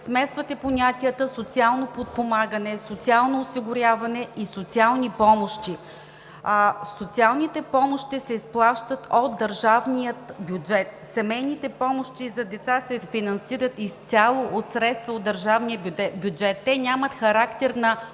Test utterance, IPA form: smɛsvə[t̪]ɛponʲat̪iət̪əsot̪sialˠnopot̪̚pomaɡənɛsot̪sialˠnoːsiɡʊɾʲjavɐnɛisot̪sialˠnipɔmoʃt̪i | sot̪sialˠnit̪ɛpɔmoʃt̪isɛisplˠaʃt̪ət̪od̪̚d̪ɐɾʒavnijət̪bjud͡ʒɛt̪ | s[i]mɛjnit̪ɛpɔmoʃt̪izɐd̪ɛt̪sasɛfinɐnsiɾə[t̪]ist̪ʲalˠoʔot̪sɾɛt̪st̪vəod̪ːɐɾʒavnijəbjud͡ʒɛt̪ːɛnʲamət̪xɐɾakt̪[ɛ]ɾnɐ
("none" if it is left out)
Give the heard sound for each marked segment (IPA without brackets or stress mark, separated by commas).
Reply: t̪, ɛ, t̪, ɛ